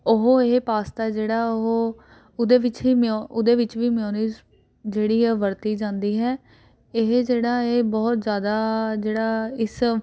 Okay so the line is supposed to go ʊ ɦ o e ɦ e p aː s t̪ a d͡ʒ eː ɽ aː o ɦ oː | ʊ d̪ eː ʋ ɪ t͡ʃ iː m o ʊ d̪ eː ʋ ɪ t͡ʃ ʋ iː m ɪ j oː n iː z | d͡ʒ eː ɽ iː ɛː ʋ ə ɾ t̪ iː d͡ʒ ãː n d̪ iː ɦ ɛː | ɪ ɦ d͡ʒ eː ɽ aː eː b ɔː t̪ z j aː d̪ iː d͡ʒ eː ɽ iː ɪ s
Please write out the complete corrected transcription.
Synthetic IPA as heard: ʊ ɦ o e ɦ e p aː s t̪ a d͡ʒ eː ɽ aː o ɦ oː | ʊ d̪ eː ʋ ɪ t͡ʃ iː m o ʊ d̪ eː ʋ ɪ t͡ʃ ʋ iː m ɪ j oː n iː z | d͡ʒ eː ɽ iː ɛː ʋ ə ɾ t̪ iː d͡ʒ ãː n d̪ iː ɦ ɛː | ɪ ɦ d͡ʒ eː ɽ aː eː b ɔː t̪ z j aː d̪ aː d͡ʒ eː ɽ aː ɪ s